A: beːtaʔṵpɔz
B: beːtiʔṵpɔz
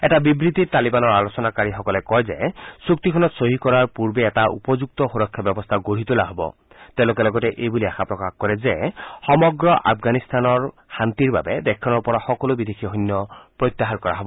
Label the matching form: A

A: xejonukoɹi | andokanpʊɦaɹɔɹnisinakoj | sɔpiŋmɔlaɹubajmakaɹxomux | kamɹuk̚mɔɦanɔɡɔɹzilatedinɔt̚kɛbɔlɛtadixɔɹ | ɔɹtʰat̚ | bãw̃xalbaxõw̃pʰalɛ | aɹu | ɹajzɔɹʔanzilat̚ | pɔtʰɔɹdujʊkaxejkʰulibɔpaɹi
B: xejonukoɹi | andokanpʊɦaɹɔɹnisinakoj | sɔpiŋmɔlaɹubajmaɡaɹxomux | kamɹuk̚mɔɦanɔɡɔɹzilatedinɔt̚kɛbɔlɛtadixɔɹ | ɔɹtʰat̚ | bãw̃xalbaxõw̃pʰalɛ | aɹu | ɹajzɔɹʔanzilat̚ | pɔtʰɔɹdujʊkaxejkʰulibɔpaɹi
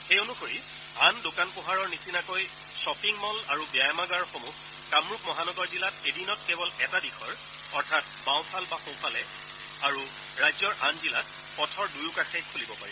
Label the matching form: B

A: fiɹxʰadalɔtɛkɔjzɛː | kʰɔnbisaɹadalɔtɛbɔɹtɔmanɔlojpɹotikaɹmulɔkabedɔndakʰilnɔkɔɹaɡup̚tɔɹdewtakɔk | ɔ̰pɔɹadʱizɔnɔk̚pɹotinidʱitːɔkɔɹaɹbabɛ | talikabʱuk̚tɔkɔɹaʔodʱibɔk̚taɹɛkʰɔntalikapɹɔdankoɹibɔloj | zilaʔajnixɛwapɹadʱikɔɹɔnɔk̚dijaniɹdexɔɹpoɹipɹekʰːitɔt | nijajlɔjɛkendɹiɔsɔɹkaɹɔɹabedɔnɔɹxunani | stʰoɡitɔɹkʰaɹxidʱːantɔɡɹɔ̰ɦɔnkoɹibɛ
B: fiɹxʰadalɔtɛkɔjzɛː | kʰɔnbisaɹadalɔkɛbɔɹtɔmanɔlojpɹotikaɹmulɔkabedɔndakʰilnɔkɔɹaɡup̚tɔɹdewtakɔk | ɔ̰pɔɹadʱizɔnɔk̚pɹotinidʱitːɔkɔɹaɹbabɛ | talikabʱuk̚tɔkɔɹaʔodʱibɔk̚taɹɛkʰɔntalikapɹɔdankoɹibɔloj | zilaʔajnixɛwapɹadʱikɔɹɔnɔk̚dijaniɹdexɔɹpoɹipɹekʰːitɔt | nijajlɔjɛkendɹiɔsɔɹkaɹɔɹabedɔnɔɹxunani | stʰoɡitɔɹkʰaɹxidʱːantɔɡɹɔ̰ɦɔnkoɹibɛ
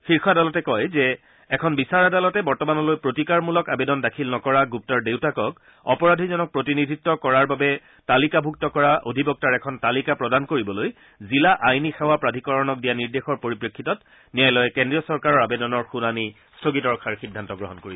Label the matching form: A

